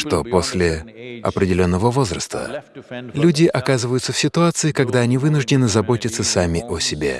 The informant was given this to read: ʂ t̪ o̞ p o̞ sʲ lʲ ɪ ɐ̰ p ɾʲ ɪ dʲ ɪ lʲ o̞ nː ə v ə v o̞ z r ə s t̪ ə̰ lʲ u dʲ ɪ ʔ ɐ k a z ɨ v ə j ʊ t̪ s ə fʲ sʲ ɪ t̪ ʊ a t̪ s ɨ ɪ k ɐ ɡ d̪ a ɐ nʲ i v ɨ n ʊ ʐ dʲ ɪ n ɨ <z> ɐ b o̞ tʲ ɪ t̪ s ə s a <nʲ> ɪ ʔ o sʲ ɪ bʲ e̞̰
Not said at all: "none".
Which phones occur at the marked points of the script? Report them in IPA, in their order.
z, mʲ

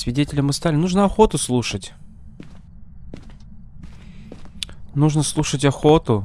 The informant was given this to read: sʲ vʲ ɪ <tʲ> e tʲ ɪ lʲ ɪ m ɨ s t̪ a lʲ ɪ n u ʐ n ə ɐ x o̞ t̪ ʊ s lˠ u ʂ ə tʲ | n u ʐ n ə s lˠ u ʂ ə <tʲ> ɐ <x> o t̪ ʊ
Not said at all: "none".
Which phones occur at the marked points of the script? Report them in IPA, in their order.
dʲ, tʲ, x

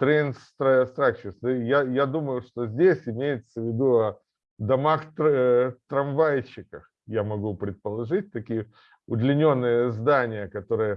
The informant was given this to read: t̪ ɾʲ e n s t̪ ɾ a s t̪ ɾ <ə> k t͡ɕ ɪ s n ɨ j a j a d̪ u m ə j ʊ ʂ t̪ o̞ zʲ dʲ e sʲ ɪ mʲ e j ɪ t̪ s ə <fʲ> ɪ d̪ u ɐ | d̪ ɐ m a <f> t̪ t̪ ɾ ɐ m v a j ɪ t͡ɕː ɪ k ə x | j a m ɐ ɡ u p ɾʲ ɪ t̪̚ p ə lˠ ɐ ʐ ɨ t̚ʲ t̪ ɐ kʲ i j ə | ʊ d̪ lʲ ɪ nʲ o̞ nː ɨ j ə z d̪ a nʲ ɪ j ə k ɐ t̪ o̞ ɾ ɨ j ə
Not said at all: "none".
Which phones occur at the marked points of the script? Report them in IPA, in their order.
a, vʲ, x

